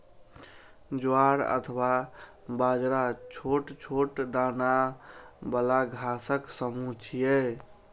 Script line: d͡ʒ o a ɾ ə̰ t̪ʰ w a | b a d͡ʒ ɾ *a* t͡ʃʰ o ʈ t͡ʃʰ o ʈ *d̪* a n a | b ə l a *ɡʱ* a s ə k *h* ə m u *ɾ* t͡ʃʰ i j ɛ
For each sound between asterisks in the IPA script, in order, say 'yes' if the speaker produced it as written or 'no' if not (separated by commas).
yes, yes, yes, no, no